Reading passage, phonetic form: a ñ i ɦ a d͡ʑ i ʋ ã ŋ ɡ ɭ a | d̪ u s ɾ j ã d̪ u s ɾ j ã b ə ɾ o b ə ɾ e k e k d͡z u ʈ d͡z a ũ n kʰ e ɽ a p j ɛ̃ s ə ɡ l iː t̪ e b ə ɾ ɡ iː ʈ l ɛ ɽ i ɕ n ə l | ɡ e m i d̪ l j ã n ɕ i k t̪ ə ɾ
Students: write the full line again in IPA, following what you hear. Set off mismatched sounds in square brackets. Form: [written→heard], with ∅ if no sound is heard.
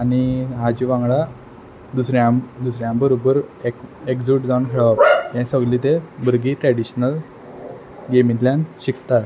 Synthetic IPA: a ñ i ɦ a d͡ʑ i ʋ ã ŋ ɡ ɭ a | d̪ u s ɾ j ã d̪ u s ɾ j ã b ə ɾ o b ə ɾ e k e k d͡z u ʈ d͡z a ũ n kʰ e [ɽ→ɭ] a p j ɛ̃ s ə ɡ l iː t̪ e b ə ɾ ɡ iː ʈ [l→ɾ] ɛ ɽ i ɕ n ə l | ɡ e m i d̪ l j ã n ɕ i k t̪ [ə→a] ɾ